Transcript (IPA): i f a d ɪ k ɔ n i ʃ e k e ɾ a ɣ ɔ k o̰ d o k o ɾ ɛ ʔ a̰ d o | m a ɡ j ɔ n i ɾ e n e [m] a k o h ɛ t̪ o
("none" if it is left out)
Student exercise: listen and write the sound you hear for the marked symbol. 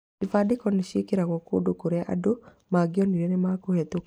m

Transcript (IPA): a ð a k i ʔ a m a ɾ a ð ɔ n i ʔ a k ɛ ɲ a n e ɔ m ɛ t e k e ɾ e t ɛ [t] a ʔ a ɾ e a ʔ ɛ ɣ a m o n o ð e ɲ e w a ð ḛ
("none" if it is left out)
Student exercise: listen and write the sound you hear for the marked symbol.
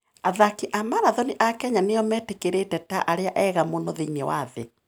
t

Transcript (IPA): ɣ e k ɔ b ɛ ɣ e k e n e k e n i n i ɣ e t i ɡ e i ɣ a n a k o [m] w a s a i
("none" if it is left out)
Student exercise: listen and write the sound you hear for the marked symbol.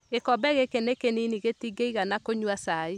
ɲ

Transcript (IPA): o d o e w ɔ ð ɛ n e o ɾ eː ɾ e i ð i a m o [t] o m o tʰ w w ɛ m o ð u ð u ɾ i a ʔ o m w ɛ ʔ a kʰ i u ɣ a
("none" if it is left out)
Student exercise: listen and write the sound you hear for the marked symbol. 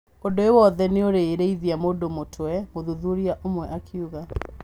d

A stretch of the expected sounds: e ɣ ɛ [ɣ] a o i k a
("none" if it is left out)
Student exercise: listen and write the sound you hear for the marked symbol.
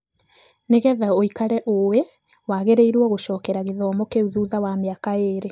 ð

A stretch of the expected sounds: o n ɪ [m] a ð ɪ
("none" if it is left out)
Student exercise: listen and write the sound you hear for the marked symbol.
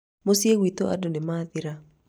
m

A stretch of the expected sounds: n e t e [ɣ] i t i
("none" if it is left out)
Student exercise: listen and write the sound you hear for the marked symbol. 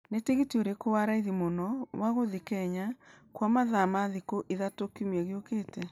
ɣ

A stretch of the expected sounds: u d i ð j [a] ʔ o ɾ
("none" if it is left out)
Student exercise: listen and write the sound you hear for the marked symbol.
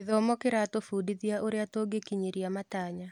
a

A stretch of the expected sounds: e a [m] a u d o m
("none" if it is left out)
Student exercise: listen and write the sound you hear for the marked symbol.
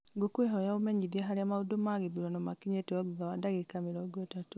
m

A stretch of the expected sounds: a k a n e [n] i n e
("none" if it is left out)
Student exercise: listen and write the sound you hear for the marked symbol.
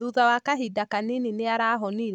n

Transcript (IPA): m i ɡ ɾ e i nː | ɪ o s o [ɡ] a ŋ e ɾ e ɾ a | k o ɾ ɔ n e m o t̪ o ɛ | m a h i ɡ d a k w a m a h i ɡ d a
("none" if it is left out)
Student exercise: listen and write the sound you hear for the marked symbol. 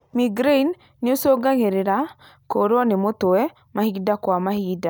ɡ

